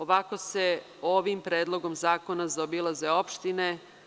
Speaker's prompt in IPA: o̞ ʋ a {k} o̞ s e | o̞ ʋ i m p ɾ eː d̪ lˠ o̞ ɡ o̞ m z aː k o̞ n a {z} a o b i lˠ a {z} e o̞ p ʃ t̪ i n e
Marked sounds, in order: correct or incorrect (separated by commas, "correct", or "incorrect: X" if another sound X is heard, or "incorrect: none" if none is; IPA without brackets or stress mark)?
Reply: correct, correct, correct